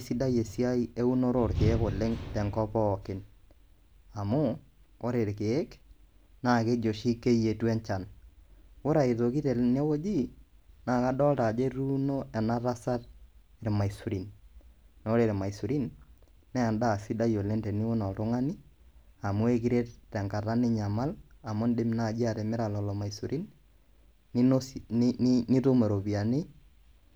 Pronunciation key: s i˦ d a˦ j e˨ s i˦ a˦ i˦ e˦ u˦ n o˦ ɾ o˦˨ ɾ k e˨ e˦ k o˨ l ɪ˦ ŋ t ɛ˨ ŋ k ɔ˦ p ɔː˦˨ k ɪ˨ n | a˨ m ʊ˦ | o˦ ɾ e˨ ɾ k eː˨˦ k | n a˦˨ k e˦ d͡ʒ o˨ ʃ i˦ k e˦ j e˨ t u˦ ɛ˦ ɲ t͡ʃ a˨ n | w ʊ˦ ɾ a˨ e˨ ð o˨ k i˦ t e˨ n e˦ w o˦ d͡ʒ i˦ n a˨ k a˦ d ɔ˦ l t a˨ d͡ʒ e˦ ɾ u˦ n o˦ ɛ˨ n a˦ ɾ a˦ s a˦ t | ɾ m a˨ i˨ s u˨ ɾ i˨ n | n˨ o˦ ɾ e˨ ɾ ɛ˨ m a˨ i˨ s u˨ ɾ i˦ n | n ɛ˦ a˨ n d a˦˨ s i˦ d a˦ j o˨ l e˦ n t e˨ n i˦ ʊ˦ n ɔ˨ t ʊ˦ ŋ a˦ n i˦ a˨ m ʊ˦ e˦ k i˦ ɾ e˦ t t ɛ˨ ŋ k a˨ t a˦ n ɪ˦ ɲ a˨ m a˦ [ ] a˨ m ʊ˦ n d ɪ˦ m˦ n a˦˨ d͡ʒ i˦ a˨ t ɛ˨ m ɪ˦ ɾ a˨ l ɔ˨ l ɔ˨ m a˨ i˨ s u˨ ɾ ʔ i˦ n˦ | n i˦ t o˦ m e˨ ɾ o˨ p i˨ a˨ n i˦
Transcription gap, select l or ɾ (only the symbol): l